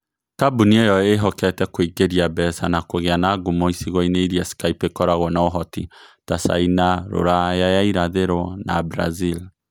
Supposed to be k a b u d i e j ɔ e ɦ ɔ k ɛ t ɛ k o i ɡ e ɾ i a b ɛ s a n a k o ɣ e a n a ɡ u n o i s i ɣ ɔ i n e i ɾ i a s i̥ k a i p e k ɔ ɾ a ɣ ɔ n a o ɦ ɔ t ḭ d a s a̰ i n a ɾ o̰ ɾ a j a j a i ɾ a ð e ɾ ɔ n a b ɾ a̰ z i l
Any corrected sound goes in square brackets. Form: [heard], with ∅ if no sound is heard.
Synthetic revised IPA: k a b u [n] i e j ɔ e ɦ ɔ k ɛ t ɛ k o i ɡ e ɾ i a b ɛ s a n a k o ɣ e a n a ɡ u [m] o i s i ɣ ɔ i n e i ɾ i a s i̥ k a i p e k ɔ ɾ a ɣ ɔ n a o ɦ ɔ t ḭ [t] a s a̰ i n a ɾ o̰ ɾ a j a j a i ɾ a ð e ɾ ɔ n a b ɾ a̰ z i l